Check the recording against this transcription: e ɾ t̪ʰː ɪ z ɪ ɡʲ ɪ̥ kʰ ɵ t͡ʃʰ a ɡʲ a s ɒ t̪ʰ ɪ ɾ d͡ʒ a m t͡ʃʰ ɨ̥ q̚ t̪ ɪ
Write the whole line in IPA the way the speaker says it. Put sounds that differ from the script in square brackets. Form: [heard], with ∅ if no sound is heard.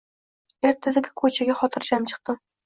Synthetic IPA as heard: e ɾ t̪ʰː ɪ z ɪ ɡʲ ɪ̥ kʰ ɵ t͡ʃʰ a ɡʲ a [χ] ɒ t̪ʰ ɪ ɾ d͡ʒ a m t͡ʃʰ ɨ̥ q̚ t̪ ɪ